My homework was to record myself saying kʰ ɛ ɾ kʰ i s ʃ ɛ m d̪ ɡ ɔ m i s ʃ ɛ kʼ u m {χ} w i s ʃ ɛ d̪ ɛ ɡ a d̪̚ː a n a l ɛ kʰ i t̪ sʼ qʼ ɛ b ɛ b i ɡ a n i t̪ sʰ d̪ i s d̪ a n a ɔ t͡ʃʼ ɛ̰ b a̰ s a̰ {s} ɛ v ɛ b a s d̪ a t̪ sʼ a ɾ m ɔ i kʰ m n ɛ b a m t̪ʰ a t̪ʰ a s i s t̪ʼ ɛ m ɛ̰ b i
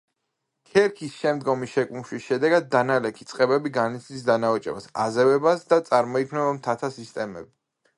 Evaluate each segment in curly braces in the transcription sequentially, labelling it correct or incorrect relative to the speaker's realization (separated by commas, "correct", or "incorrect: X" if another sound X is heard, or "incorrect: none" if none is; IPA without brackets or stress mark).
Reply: incorrect: ʃ, incorrect: z